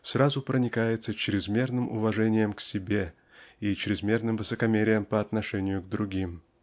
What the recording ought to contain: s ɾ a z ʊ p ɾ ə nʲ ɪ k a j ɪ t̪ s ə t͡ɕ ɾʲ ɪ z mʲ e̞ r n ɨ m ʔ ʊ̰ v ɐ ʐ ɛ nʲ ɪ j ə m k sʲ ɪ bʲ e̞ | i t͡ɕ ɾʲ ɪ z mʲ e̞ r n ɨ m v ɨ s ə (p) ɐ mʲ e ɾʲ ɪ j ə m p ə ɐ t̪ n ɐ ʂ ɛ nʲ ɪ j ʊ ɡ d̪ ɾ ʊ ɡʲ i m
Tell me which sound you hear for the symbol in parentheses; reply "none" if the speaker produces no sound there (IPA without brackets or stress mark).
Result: k